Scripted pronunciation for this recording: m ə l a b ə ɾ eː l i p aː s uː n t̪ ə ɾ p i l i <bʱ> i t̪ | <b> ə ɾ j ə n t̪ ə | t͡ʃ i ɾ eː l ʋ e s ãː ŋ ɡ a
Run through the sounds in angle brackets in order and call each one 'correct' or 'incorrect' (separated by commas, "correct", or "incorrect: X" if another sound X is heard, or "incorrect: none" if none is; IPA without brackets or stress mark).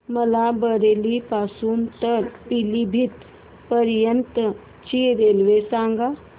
correct, incorrect: p